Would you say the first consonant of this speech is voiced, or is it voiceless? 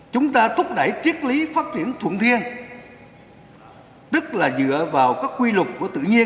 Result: voiceless